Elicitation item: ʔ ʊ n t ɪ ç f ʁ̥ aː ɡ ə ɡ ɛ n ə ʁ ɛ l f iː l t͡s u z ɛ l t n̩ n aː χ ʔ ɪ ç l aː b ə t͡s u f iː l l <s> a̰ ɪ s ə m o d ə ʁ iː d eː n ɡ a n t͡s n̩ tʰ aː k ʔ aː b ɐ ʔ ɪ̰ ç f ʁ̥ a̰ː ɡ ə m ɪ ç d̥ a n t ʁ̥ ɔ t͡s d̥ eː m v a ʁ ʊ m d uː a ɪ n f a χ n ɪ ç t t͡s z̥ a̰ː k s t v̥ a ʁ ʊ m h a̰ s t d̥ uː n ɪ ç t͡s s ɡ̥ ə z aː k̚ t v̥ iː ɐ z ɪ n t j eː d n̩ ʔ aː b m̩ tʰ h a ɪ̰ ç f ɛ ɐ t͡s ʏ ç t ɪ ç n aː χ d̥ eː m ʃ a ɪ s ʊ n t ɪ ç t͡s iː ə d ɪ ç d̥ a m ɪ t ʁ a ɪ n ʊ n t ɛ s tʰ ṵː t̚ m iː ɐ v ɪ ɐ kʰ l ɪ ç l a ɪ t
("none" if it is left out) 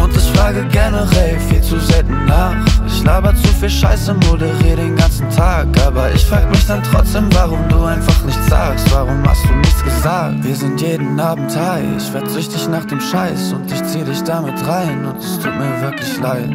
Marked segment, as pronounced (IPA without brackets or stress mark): ʃ